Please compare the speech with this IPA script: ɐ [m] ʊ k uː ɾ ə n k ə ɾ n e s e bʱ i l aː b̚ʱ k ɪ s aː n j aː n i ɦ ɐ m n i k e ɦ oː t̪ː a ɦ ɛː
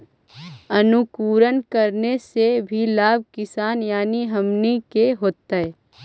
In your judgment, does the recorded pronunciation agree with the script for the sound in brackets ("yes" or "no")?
no